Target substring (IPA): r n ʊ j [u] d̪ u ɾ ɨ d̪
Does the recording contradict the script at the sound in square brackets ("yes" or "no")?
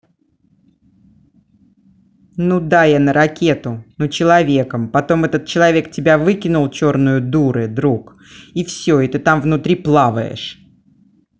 yes